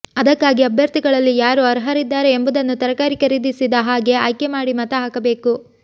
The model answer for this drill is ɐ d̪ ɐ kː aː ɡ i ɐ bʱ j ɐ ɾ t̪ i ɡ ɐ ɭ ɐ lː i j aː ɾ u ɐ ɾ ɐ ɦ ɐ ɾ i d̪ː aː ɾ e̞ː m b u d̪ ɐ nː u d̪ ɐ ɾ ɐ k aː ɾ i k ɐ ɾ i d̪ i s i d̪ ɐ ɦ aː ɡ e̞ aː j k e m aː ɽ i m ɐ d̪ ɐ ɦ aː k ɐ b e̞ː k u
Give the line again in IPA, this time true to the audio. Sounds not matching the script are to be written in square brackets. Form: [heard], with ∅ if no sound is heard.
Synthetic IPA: ɐ d̪ ɐ kː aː ɡ i ɐ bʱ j ɐ ɾ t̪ i ɡ ɐ ɭ ɐ lː i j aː ɾ u ɐ ɾ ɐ ɦ ɐ ɾ i d̪ː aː ɾ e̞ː m b u d̪ ɐ nː u [t̪] ɐ ɾ ɐ k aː ɾ i k ɐ ɾ i d̪ i s i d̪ ɐ ɦ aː ɡ e̞ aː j k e m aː ɽ i m ɐ [t̪] ɐ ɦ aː k ɐ b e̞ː k u